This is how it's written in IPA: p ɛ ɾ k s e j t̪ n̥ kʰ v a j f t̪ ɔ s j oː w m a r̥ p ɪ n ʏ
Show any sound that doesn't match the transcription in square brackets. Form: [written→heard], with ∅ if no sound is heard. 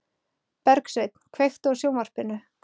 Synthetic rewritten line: p ɛ ɾ k s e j t̪ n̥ kʰ v [a→e] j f t̪ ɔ s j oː w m a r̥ p ɪ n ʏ